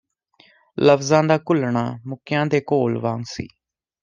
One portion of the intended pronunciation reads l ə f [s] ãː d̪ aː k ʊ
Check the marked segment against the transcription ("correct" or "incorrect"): incorrect